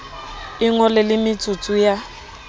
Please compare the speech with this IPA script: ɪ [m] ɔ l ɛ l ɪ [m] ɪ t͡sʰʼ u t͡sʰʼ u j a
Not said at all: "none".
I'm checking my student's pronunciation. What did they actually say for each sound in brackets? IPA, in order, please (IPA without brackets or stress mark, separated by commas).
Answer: ŋ, m